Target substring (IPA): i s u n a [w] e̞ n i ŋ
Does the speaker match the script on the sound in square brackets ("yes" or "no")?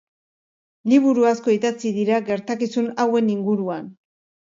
yes